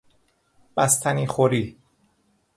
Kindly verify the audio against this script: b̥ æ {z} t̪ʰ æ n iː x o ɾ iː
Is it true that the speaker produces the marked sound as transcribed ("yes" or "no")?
no